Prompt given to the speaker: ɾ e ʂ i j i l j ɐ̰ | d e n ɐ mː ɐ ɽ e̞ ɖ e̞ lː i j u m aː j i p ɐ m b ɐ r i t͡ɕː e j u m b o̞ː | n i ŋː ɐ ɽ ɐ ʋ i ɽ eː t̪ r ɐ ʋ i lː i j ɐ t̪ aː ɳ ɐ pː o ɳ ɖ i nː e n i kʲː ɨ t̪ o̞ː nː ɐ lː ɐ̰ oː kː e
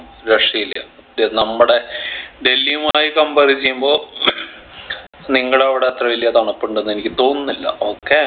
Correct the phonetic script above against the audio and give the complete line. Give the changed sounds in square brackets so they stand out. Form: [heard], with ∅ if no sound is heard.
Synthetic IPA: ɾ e ʂ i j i l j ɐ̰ | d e n ɐ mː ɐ ɽ e̞ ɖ e̞ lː i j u m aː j i [k] ɐ m b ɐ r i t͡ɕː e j u m b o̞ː | n i ŋː ɐ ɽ ɐ ʋ i ɽ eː t̪ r ɐ ʋ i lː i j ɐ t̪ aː ɳ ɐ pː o ɳ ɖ [e] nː e n i kʲː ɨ t̪ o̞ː nː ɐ lː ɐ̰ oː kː e